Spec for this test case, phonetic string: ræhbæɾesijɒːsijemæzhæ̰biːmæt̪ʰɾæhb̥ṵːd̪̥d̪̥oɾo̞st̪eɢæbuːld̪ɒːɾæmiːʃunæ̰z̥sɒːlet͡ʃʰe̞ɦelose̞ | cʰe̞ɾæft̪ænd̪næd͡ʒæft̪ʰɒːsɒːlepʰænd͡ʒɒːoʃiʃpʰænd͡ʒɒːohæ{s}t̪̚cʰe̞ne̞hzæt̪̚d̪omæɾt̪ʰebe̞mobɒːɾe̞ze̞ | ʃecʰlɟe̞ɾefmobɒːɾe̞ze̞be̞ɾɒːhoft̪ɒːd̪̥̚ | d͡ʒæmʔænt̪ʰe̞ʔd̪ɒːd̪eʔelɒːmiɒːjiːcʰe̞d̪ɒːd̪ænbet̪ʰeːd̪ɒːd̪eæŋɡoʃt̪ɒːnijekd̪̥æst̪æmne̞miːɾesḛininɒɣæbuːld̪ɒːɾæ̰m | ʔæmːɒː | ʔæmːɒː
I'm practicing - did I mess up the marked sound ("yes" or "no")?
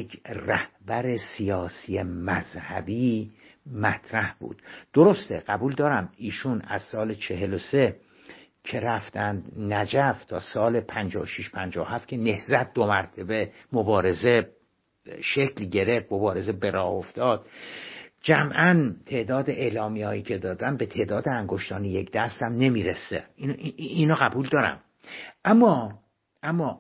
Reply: yes